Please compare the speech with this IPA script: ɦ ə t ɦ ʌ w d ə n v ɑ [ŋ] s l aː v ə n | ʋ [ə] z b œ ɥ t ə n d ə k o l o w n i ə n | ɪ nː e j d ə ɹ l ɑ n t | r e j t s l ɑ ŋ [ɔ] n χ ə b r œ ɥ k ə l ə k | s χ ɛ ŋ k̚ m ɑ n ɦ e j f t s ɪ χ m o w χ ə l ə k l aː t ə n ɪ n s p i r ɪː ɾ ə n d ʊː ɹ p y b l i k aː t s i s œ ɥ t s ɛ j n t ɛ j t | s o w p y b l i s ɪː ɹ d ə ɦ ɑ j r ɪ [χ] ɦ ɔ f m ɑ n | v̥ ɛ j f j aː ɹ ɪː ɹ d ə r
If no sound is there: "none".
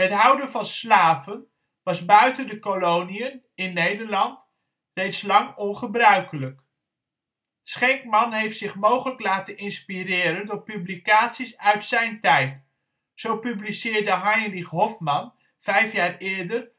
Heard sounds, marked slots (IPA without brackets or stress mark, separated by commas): n, ɑ, ɔ, χ